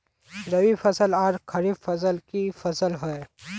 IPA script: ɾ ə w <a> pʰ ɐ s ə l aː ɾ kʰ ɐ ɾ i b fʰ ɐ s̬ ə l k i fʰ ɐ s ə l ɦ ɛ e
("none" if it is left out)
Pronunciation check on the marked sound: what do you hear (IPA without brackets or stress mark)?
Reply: i